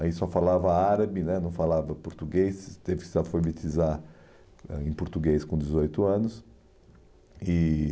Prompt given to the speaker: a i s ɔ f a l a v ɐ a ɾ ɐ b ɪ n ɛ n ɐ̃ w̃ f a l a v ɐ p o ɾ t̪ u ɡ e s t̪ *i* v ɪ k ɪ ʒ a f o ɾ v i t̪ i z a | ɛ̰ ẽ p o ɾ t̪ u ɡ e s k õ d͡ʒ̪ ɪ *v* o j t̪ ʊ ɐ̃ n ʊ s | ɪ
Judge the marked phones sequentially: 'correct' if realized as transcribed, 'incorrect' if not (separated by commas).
incorrect, incorrect